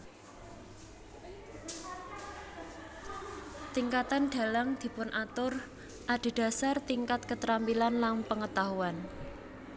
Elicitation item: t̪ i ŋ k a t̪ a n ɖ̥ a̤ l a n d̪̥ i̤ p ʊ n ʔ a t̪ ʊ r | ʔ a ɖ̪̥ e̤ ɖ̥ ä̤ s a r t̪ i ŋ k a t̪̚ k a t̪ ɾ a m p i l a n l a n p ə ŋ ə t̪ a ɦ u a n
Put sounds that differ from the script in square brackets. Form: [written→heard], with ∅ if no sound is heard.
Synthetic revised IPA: t̪ i ŋ k a t̪ a n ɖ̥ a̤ l a [n→ŋ] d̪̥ i̤ p ʊ n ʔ a t̪ ʊ r | ʔ a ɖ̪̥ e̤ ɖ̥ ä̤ s a r t̪ i ŋ k a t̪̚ k [a→ə] t̪ ɾ a m p i l a n l a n p ə ŋ ə t̪ a ɦ u a n